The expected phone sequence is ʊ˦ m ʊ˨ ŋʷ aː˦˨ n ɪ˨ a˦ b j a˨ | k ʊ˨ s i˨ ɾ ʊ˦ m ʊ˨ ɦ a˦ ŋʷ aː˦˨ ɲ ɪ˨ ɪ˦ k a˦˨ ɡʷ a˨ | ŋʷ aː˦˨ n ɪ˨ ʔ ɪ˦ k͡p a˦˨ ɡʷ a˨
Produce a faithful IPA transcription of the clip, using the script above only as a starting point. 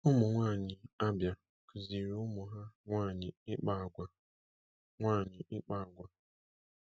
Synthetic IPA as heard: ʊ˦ m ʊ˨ ŋʷ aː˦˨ ɲ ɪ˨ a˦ b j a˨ | k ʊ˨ z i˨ ɾ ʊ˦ m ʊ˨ ɦ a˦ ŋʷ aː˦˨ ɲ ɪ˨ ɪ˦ k͡p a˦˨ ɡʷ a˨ | ŋʷ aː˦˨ ɲ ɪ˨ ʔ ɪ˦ k͡p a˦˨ ɡʷ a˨